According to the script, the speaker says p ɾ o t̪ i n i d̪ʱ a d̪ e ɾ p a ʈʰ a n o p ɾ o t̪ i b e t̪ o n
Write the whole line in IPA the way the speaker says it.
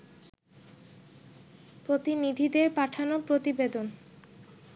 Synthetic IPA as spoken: p ɾ o t̪ i n i d̪ʱ i d̪ e ɾ p a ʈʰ a n o p ɾ o t̪ i b e d̪ o n